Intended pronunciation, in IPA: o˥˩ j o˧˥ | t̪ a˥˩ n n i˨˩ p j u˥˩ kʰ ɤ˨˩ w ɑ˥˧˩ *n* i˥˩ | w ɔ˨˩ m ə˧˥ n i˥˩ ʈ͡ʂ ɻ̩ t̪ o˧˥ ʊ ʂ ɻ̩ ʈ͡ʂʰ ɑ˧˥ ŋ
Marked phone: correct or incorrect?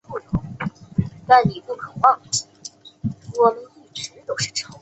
incorrect